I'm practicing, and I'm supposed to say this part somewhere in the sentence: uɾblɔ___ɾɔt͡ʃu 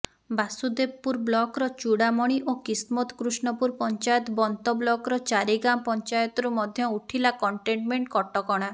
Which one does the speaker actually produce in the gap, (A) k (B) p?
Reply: A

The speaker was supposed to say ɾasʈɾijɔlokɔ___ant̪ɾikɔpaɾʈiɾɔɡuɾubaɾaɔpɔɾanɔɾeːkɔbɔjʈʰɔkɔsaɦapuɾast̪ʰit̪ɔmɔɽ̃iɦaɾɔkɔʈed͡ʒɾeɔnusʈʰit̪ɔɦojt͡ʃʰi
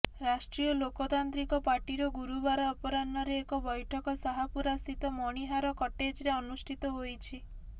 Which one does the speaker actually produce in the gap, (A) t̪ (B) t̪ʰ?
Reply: A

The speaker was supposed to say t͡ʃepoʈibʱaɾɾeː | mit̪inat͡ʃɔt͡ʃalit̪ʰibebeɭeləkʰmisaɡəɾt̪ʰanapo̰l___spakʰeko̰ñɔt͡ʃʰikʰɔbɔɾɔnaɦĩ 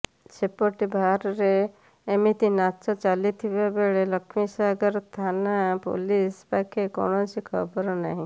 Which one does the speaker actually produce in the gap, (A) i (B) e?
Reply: A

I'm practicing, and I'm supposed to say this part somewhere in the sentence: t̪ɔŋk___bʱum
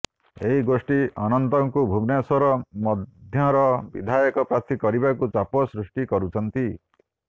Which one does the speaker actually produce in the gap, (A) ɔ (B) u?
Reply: B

